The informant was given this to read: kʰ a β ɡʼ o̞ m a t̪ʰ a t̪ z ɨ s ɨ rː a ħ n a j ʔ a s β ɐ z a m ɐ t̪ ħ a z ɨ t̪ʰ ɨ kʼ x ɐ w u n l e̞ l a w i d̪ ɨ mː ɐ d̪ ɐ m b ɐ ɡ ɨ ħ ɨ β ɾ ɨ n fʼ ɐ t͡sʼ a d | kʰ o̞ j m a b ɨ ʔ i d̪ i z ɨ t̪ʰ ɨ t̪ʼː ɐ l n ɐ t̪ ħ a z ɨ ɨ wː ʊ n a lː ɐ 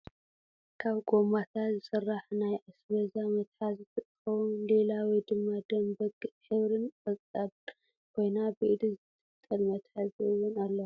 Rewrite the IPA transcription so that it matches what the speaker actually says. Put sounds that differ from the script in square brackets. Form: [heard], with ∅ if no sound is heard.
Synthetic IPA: kʰ a β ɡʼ o̞ m a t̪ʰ a t̪ z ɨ s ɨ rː a ħ n a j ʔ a s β ɐ z a m ɐ t̪ ħ a z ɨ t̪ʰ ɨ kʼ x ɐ w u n l e̞ l a w i d̪ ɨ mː [a] d̪ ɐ m b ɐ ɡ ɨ ħ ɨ β ɾ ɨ n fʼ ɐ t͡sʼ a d | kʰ o̞ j [n] a b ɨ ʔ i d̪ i z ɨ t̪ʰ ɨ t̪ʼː ɐ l [m] ɐ t̪ ħ a z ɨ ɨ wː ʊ n a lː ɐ